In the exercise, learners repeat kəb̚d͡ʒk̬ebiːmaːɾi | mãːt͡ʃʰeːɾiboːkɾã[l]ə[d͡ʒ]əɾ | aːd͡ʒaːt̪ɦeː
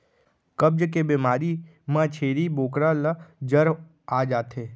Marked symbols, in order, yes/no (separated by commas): yes, yes